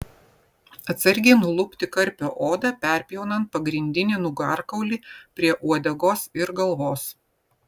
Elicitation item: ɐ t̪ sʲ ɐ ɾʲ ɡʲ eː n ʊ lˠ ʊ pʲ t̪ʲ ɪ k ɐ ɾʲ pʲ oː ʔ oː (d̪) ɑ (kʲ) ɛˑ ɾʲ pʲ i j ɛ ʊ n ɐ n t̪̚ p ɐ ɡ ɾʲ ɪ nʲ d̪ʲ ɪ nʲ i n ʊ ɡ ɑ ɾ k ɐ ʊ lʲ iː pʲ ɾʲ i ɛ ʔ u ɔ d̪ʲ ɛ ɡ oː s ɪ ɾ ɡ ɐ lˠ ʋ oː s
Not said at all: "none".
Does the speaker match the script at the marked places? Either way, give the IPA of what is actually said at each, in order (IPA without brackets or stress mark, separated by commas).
d̪, pʲ